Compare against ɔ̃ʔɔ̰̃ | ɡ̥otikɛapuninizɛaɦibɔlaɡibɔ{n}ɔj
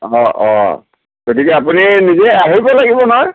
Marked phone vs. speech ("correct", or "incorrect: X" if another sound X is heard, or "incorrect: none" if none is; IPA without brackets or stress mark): correct